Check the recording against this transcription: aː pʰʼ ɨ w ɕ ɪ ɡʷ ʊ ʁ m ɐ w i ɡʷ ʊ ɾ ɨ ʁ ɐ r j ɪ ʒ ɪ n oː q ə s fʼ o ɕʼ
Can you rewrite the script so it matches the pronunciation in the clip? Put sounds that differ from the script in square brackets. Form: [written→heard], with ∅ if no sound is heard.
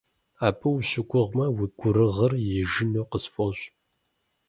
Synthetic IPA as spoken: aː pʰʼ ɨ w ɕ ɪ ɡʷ ʊ ʁ m ɐ w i ɡʷ ʊ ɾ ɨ ʁ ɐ r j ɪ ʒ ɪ n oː q ə s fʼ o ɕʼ